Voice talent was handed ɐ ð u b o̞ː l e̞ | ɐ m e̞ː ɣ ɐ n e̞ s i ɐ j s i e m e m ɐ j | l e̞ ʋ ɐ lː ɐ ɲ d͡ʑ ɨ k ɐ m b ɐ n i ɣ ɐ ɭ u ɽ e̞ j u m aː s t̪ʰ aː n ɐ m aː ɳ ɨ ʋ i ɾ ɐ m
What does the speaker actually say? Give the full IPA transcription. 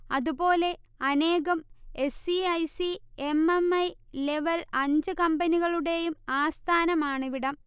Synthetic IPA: ɐ ð u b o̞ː l e̞ | ɐ n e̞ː ɣ ɐ m e̞ s i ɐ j s i e m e m ɐ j | l e̞ ʋ ɐ l ɐ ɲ d͡ʑ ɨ k ɐ m b ɐ n i ɣ ɐ ɭ u ɽ e̞ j u m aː s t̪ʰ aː n ɐ m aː ɳ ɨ ʋ i ɽ ɐ m